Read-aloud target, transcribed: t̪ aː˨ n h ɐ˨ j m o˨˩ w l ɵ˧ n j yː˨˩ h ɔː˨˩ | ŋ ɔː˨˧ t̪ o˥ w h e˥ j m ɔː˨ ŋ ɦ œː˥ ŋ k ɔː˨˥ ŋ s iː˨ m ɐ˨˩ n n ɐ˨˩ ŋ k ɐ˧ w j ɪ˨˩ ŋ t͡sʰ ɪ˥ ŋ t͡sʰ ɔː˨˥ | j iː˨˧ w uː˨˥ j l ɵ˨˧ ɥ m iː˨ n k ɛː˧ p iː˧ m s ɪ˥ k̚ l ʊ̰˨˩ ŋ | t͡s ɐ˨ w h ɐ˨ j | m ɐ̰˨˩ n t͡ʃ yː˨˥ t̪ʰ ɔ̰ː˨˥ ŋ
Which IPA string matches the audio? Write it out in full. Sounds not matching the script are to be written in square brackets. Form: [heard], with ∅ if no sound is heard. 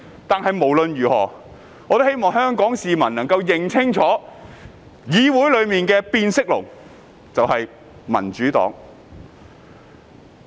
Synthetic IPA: t̪ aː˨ n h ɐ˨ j m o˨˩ w l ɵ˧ n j yː˨˩ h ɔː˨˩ | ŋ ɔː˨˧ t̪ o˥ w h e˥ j m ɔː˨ ŋ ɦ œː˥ ŋ k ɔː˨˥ ŋ s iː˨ m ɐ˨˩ n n ɐ˨˩ ŋ k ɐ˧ w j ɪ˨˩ ŋ t͡sʰ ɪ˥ ŋ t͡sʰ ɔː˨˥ | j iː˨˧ w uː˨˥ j l ɵ˨˧ ɥ m iː˨ n k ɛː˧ p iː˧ [n] s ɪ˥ k̚ l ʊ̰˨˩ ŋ | t͡s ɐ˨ w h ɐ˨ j | m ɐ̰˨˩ n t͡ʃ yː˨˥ [t̪] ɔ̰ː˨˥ ŋ